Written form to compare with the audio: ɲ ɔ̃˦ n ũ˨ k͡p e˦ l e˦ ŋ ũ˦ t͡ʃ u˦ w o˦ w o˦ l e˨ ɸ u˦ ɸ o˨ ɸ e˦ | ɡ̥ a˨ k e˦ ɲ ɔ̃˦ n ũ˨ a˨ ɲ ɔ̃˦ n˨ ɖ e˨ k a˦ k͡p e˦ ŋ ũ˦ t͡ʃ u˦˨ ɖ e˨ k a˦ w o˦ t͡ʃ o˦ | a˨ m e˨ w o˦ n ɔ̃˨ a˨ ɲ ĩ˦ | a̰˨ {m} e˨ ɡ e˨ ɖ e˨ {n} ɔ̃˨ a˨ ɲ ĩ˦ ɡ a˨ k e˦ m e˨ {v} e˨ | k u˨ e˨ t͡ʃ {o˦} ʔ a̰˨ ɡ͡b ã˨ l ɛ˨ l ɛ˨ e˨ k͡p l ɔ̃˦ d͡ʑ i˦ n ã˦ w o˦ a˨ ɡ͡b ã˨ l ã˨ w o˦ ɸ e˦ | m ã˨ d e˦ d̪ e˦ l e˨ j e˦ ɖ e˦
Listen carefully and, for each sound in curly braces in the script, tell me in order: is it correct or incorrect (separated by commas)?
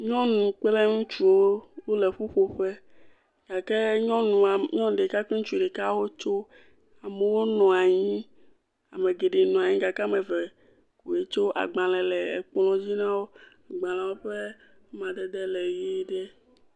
correct, correct, correct, correct